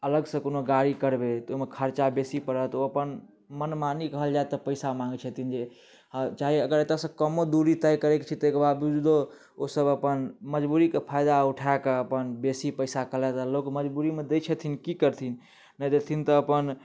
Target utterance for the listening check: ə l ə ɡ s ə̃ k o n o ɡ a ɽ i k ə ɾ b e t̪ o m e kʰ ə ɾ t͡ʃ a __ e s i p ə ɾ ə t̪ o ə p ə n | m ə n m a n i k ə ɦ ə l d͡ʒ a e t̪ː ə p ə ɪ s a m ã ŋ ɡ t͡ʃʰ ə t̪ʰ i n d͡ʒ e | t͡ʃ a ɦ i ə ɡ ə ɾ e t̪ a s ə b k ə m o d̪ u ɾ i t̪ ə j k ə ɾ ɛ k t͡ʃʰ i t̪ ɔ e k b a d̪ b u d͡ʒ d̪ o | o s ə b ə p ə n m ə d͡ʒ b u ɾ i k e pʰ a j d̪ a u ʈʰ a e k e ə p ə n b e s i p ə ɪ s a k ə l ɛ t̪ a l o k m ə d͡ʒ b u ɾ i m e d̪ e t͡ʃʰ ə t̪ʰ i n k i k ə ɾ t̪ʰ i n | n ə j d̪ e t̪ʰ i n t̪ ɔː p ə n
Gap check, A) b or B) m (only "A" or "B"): A